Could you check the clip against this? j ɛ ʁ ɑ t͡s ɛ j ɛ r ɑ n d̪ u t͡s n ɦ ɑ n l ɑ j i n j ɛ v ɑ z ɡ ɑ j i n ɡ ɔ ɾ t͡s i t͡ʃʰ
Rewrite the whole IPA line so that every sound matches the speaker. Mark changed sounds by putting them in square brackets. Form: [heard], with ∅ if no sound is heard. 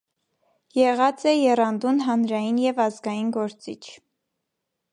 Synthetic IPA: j ɛ ʁ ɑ t͡s ɛ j ɛ r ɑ n d̪ u [∅] n ɦ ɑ n [ɾ] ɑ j i n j ɛ v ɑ z ɡ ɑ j i n ɡ ɔ ɾ t͡s i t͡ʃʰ

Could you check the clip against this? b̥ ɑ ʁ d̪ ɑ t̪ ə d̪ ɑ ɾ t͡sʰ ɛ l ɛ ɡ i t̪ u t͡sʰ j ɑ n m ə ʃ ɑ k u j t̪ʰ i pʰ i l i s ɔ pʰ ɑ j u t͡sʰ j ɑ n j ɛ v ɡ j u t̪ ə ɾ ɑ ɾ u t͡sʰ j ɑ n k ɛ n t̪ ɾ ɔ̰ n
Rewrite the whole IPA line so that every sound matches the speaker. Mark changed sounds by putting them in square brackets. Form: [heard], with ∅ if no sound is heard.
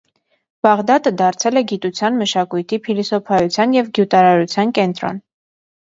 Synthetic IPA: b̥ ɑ ʁ d̪ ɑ t̪ ə d̪ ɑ ɾ t͡sʰ ɛ l ɛ ɡ i t̪ u t͡sʰ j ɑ n m ə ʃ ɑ k u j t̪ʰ i pʰ i l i s ɔ pʰ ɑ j u t͡sʰ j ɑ n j ɛ v ɡ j u t̪ [ɑ] ɾ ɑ ɾ u t͡sʰ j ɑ n k ɛ n t̪ ɾ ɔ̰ n

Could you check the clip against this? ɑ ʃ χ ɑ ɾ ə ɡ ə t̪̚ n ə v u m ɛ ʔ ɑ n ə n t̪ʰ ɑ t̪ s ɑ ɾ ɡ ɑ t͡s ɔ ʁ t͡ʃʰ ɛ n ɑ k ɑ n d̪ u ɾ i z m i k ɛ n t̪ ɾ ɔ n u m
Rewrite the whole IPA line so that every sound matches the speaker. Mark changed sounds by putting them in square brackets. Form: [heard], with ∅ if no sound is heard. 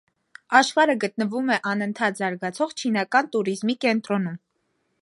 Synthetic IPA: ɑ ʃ χ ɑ ɾ ə ɡ ə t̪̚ n ə v u m ɛ ʔ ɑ n ə n t̪ʰ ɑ t̪ [z] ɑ ɾ ɡ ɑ [t͡sʰ] ɔ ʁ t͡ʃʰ [i] n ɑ k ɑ n [t̪] u ɾ i z m i k ɛ n t̪ ɾ ɔ n u m

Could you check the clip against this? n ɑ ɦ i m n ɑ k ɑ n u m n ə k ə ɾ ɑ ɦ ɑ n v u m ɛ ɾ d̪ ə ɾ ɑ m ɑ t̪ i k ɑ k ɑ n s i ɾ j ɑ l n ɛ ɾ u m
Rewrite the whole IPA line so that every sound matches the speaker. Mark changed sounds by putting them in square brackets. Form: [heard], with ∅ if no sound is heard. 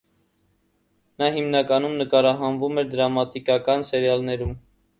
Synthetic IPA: n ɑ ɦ i m n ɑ k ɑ n u m n ə k [ɑ] ɾ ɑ ɦ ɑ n v u m ɛ ɾ d̪ ə ɾ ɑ m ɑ t̪ i k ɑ k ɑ n s [ɛ] ɾ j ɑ l n ɛ ɾ u m

